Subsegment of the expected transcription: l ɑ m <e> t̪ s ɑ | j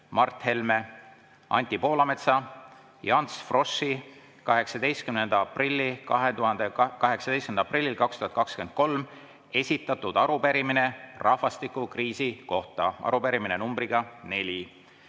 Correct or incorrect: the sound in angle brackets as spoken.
correct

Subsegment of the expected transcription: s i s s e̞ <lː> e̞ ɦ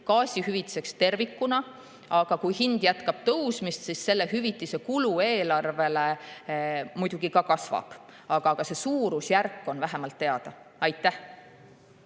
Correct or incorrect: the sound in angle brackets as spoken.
correct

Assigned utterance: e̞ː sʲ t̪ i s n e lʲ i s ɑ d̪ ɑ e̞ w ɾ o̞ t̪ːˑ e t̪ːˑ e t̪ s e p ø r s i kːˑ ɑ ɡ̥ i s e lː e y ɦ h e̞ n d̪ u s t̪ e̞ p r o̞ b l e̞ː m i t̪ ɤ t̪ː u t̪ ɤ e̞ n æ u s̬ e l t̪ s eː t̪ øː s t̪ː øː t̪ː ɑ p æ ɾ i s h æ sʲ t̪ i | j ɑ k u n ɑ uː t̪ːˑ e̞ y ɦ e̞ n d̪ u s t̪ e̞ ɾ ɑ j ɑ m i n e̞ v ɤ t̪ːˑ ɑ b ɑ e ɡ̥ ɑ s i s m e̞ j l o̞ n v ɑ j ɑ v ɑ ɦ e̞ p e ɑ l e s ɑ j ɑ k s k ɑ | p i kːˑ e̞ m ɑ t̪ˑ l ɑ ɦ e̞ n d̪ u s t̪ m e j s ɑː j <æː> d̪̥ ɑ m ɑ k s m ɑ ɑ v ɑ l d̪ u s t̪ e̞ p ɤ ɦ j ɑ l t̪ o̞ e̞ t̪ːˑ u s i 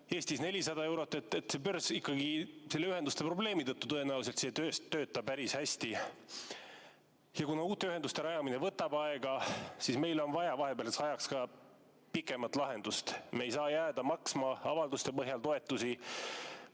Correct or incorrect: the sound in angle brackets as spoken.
correct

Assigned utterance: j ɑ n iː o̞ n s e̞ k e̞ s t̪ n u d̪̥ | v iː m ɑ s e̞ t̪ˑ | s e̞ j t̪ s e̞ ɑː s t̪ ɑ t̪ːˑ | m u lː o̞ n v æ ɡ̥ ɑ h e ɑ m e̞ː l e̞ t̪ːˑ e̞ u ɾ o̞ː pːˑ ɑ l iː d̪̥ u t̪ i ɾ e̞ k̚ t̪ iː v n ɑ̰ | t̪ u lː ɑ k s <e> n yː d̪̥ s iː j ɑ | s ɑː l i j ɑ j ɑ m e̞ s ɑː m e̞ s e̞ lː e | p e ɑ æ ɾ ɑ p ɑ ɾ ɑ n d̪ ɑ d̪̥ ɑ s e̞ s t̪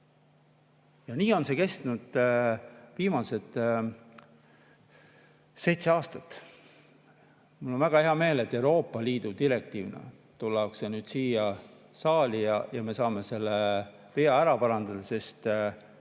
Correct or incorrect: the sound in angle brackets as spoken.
correct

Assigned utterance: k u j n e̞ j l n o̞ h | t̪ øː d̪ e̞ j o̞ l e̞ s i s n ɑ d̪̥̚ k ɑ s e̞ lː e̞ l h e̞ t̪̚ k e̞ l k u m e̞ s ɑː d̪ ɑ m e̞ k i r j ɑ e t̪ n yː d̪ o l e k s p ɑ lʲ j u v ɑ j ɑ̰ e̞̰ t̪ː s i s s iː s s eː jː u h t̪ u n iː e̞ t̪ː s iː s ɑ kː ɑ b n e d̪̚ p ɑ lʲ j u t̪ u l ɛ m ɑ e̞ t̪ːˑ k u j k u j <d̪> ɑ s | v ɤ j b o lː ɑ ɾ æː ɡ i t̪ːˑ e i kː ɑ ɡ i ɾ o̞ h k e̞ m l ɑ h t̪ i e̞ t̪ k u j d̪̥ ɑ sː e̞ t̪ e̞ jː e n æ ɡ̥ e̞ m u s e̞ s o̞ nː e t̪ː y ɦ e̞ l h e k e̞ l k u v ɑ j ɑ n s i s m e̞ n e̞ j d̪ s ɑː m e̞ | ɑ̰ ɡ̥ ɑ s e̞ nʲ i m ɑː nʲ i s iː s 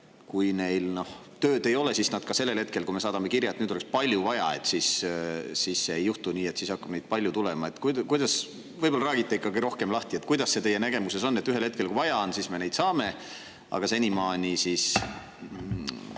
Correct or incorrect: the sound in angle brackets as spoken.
correct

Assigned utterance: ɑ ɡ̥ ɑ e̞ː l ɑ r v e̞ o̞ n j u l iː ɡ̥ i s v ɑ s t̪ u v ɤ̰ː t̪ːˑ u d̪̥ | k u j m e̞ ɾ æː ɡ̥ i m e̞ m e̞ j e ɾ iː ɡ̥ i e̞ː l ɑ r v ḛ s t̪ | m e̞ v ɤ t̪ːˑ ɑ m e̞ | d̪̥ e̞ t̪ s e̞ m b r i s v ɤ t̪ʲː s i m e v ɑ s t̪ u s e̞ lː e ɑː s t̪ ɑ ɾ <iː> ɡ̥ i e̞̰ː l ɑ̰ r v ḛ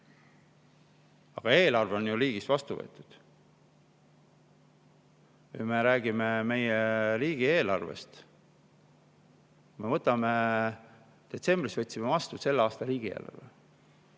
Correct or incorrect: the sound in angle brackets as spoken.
correct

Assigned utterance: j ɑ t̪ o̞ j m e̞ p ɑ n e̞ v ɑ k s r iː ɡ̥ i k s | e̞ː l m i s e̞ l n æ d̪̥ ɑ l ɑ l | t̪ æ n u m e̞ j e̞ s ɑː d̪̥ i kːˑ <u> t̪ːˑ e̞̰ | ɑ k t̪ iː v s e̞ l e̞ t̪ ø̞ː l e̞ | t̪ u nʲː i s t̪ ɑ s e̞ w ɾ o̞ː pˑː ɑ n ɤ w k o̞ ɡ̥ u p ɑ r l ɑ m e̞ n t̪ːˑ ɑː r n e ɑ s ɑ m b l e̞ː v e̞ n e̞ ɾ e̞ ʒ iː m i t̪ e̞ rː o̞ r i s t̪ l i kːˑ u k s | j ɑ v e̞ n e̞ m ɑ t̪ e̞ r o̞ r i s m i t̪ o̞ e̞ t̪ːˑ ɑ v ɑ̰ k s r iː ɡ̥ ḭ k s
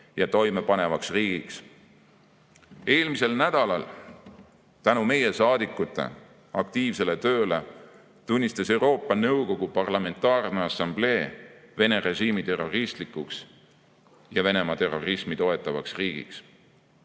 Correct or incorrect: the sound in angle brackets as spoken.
correct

